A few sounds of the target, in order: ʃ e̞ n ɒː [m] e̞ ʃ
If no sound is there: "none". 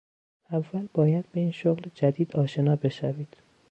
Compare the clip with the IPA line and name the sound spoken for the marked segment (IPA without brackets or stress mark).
b